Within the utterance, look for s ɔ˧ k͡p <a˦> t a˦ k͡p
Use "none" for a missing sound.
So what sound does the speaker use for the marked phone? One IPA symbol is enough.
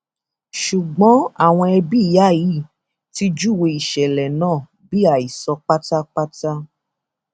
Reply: a˦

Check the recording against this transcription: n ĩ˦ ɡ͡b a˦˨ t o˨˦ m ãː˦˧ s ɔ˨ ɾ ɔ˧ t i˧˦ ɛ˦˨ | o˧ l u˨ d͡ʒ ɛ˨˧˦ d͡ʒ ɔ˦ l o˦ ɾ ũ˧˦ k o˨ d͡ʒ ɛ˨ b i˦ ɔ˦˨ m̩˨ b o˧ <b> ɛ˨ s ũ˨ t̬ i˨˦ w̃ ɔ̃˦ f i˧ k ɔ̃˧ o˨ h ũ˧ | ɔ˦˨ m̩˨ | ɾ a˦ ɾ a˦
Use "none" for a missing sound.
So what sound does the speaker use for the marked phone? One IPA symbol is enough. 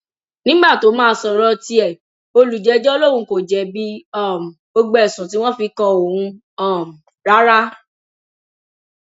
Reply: ɡ͡b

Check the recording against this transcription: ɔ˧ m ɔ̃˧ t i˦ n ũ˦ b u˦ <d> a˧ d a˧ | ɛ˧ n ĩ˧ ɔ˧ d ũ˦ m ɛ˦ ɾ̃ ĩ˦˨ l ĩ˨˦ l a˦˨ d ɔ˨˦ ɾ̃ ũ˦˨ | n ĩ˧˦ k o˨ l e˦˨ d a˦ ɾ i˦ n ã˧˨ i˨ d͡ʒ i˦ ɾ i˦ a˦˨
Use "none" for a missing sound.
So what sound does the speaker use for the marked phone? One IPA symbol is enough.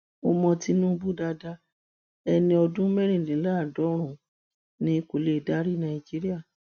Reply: d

